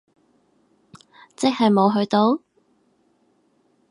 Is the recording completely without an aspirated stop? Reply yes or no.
yes